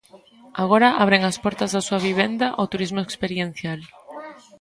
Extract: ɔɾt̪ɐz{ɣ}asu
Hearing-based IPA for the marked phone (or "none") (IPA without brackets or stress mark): ð